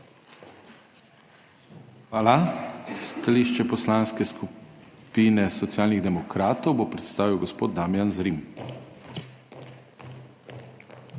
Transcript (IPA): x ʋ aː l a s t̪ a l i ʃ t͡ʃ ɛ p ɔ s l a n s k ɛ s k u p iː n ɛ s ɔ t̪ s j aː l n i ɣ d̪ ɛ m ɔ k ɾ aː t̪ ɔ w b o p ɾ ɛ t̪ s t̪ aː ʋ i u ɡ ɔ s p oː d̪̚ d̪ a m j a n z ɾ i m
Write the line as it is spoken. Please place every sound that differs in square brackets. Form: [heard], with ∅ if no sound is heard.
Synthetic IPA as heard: x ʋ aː l a s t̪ a l i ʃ t͡ʃ ɛ p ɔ s l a n s k ɛ s k u p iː n ɛ s ɔ t̪ s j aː l n i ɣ d̪ ɛ m ɔ k ɾ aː t̪ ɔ w b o p ɾ ɛ t̪ s t̪ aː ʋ i [w] ɡ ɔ s p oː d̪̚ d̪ a m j a n z ɾ i m